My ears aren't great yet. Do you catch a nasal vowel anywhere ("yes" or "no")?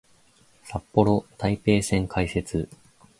yes